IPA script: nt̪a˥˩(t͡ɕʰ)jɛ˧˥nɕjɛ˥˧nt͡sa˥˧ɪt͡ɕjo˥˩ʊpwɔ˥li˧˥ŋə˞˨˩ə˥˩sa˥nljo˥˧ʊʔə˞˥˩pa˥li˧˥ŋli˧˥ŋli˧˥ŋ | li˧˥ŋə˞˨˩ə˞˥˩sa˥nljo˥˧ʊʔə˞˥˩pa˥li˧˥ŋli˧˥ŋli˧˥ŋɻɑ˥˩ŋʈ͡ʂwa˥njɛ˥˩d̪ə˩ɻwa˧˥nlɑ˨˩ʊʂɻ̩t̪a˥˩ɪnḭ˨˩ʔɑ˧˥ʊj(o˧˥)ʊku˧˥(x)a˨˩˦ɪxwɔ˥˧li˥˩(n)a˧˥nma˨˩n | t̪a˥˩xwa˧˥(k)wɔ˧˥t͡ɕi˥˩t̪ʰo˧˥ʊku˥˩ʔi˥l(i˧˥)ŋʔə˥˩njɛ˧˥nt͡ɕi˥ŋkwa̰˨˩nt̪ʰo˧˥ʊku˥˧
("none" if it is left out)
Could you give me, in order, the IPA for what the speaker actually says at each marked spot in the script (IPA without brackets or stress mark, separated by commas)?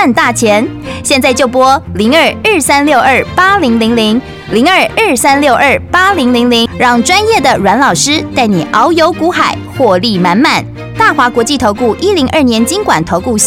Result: t͡ɕʰ, o˧˥, x, m, k, i˧˥